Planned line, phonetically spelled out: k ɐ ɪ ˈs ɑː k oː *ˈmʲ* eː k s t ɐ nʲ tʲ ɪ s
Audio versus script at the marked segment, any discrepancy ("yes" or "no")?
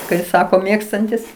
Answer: no